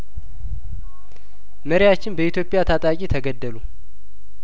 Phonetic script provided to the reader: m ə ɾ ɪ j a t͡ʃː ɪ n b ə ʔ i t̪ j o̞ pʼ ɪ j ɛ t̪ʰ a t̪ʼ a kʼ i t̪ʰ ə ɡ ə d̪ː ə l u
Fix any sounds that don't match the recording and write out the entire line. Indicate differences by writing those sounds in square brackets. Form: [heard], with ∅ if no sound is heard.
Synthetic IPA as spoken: m ə ɾ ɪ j a t͡ʃː ɪ n b ə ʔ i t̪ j o̞ pʼ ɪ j [a] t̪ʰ a t̪ʼ a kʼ i t̪ʰ ə ɡ ə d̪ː ə l u